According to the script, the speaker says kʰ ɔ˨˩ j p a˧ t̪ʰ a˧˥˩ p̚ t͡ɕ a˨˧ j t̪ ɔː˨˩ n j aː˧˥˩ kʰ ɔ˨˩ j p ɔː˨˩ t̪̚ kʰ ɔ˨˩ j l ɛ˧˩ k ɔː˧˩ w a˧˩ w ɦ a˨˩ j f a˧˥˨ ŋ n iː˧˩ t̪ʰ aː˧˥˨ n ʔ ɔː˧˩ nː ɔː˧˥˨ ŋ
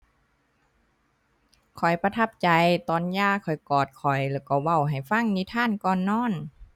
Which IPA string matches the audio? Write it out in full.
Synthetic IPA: kʰ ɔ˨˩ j p a˧ t̪ʰ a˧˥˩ p̚ t͡ɕ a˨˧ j t̪ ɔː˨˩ n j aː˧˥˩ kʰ ɔ˨˩ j k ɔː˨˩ t̪̚ kʰ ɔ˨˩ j l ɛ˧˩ k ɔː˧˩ w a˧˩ w ɦ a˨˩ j f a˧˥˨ ŋ n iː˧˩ t̪ʰ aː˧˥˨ n k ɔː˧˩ nː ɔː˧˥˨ n

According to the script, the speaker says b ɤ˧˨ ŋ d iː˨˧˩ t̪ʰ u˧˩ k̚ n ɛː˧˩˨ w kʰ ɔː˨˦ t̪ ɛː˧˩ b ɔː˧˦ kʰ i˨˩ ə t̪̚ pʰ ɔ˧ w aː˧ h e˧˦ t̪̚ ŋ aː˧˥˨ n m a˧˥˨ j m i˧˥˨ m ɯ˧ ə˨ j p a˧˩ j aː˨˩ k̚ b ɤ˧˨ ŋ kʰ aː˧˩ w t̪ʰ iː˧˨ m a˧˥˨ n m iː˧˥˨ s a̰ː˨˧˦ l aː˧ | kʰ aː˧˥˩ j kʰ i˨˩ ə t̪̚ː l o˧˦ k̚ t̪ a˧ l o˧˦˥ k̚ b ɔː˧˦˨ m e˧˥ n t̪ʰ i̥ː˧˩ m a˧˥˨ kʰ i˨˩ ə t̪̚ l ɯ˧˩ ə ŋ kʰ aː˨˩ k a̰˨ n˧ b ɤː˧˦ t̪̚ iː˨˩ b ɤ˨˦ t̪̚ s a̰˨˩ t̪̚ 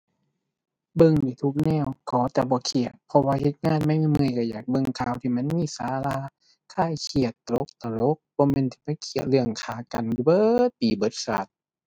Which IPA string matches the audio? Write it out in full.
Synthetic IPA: b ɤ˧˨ ŋ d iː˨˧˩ t̪ʰ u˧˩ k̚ n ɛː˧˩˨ w kʰ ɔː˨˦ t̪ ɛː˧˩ b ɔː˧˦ kʰ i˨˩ ə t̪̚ pʰ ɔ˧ w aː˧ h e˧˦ t̪̚ ŋ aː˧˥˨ n m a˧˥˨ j m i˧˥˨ m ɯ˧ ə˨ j k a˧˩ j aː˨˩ k̚ b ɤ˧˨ ŋ kʰ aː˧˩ w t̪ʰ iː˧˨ m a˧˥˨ n m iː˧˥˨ s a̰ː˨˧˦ l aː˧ | kʰ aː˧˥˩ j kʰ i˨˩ ə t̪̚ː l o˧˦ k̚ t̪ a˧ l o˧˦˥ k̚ b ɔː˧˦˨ m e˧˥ n t̪ʰ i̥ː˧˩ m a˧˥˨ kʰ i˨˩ ə t̪̚ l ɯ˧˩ ə ŋ kʰ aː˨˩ k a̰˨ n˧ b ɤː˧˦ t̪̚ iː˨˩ b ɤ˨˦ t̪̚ s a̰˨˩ t̪̚

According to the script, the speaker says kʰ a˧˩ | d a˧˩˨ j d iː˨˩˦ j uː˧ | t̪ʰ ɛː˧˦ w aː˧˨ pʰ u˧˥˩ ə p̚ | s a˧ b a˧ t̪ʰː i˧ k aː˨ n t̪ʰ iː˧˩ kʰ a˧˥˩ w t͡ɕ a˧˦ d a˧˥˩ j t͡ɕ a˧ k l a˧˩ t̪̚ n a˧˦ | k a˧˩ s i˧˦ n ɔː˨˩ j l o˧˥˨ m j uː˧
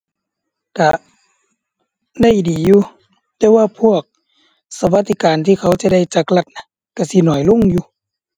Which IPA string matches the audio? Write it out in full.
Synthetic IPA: k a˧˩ | d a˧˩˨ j d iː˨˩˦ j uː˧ | t̪ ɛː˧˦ w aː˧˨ pʰ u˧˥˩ ə k̚ | s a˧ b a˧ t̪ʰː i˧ k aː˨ n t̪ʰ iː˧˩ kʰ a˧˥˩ w t͡ɕ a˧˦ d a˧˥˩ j t͡ɕ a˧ k l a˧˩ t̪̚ n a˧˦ | k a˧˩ s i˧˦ n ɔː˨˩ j l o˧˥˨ ŋ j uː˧

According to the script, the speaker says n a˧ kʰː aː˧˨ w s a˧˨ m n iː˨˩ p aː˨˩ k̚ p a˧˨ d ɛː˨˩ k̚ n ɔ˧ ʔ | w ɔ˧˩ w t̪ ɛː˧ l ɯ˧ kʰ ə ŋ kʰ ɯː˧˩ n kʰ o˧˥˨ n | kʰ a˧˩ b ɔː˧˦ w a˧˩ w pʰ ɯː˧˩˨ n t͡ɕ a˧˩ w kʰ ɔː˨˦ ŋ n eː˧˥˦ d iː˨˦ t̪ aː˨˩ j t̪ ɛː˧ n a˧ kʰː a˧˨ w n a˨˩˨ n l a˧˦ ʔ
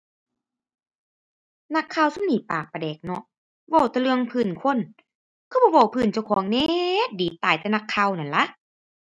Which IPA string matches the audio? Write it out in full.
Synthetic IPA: n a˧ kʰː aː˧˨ w s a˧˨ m n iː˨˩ p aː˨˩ k̚ p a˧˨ d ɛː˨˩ k̚ n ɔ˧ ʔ | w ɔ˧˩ w t̪ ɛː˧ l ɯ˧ ə ŋ pʰ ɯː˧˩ n kʰ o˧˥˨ n | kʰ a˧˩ b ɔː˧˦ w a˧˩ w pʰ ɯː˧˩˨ n t͡ɕ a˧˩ w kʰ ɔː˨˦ ŋ n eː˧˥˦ d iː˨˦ t̪ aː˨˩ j t̪ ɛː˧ n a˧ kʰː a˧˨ w n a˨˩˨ n l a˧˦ ʔ

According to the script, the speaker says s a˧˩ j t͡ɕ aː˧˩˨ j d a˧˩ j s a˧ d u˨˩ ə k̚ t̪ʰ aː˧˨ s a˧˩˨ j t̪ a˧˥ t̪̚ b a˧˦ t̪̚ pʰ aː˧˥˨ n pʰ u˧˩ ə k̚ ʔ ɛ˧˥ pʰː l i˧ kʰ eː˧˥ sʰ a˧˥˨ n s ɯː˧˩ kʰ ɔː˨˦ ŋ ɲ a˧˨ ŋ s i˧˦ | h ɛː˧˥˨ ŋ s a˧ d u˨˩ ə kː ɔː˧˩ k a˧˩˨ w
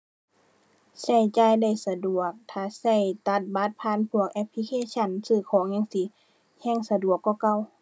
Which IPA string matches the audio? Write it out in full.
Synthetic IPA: s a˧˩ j t͡ɕ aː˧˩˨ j d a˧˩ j s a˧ d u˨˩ ə k̚ t̪ʰ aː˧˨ s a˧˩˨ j t̪ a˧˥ t̪̚ b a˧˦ t̪̚ pʰ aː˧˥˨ n pʰ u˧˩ ə k̚ ʔ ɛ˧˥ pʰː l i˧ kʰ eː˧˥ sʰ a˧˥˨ n s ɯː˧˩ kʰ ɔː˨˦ ŋ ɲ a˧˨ ŋ s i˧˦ | h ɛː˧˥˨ ŋ s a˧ d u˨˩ ə kː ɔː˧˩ k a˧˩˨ w

